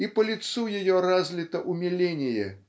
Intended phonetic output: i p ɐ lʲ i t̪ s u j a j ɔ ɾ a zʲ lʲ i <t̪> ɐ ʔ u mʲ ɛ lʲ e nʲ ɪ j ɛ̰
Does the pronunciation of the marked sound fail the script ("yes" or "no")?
no